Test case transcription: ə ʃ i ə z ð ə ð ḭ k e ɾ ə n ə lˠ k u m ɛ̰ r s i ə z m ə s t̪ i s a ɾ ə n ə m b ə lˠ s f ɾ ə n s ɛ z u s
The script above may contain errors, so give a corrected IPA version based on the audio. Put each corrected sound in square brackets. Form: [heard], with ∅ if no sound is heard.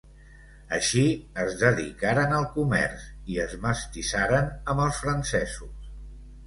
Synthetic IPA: ə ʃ i ə z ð ə ð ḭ k [a] ɾ ə n ə lˠ k u m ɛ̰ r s i ə z m ə s t̪ i s a ɾ ə n ə m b ə lˠ s f ɾ ə n s ɛ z u s